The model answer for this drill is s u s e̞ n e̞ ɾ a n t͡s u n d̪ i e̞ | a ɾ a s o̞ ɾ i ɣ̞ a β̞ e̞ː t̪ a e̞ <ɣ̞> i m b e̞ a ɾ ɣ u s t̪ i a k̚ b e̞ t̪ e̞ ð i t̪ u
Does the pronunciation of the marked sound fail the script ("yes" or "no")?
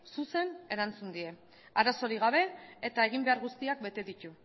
no